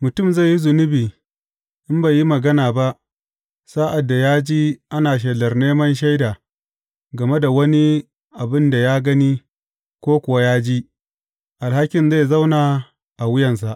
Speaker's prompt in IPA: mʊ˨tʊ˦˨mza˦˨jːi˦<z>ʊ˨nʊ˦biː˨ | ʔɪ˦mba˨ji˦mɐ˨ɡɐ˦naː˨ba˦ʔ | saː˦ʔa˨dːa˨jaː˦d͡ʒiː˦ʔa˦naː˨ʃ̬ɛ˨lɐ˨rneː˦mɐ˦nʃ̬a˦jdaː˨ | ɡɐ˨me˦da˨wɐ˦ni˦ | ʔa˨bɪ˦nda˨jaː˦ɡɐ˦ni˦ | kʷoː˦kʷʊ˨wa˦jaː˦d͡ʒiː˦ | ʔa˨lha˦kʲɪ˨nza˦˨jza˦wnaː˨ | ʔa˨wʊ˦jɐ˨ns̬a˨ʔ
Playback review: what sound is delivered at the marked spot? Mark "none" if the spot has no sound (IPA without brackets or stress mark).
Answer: z